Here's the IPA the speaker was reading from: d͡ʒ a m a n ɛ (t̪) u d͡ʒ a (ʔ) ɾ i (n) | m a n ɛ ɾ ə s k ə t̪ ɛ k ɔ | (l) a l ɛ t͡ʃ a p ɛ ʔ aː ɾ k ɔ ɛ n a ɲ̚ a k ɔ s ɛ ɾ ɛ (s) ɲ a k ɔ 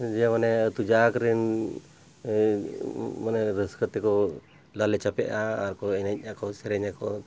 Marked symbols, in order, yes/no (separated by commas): yes, no, yes, yes, no